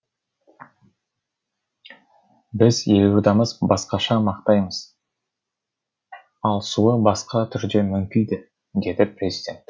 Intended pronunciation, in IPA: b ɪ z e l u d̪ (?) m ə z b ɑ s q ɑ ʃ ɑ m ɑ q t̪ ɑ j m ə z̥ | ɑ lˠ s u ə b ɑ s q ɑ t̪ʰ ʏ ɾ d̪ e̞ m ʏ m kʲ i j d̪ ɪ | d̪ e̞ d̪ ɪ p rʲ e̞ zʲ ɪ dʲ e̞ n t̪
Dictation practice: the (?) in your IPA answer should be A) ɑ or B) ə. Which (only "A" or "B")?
A